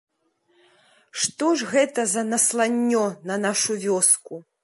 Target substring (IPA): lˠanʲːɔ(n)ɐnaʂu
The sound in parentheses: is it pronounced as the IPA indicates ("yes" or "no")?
yes